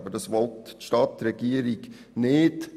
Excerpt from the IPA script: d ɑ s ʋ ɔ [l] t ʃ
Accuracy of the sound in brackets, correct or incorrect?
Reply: correct